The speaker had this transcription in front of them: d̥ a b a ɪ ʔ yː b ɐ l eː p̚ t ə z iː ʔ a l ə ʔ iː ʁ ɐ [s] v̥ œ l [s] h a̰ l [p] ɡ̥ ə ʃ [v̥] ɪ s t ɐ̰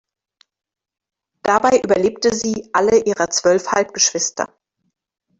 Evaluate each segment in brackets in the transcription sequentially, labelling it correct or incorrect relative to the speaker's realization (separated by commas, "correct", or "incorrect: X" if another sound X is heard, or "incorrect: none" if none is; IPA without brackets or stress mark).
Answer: incorrect: t͡s, incorrect: f, correct, correct